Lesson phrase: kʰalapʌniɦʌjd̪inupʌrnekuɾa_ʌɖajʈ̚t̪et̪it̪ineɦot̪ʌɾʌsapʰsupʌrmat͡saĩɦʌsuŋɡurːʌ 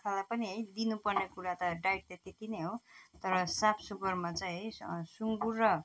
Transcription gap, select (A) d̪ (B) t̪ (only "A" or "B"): B